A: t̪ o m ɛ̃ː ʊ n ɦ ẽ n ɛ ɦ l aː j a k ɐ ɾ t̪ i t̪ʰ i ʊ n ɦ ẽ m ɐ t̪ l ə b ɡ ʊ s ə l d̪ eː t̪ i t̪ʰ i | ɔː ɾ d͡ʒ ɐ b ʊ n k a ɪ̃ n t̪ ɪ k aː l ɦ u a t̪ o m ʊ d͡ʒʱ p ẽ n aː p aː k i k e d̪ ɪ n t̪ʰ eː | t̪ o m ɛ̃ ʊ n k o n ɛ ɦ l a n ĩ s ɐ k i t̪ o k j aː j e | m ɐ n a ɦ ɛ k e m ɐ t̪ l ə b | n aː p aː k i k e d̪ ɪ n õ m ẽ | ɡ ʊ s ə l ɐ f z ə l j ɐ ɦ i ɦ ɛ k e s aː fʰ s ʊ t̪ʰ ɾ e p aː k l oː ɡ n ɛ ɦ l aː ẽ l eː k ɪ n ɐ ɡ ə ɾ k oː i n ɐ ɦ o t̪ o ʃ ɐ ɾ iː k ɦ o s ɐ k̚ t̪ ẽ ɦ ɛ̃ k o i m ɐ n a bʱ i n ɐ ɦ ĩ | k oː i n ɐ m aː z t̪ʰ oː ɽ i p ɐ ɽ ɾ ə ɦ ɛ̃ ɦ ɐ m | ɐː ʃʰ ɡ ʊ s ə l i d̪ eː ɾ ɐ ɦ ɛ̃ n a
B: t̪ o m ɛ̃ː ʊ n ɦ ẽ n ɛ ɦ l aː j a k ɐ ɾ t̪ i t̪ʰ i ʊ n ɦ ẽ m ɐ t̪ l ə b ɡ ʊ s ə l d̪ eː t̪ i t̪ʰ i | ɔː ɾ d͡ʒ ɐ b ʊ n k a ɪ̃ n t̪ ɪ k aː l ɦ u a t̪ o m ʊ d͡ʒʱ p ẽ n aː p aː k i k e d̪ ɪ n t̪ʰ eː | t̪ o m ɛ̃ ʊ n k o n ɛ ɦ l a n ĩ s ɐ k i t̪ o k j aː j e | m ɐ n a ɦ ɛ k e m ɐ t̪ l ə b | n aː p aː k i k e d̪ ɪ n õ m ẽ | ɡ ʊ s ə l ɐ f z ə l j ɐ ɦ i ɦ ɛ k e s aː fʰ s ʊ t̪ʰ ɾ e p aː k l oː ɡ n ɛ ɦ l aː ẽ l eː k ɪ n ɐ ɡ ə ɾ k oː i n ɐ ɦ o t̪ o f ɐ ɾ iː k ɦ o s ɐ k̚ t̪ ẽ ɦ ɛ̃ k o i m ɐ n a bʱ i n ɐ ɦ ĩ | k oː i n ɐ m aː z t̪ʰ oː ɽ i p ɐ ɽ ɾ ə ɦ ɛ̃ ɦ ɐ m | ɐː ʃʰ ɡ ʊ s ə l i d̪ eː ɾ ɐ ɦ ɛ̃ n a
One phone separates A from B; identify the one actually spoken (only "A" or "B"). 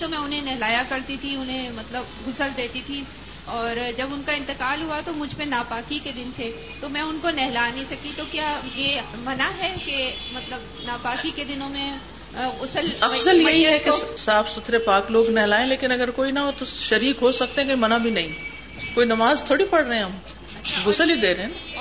A